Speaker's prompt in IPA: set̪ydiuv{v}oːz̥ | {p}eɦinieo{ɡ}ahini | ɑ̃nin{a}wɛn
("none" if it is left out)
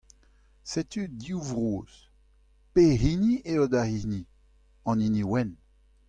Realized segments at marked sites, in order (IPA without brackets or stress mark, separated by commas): ʁ, p, d, i